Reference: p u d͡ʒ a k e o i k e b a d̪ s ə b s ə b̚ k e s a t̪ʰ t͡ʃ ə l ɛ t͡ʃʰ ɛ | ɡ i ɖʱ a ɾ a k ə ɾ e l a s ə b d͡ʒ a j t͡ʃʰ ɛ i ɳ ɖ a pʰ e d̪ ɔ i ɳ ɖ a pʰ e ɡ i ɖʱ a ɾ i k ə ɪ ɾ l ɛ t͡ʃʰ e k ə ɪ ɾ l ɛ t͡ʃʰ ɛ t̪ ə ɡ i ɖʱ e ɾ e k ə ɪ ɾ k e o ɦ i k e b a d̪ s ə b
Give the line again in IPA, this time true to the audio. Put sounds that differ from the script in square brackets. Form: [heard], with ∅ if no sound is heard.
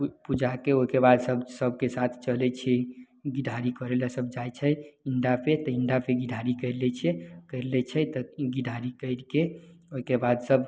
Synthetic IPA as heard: p u d͡ʒ a k e o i k e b a d̪ s ə b s ə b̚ k e s a t̪ʰ t͡ʃ ə l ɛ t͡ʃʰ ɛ | ɡ i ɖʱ a ɾ [i] k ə ɾ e l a s ə b d͡ʒ a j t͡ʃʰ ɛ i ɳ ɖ a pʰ e [t̪] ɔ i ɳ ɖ a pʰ e ɡ i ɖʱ a ɾ i k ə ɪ ɾ l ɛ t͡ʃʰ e k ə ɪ ɾ l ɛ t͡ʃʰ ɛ t̪ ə ɡ i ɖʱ [a] ɾ [i] k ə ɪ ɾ k e o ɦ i k e b a d̪ s ə b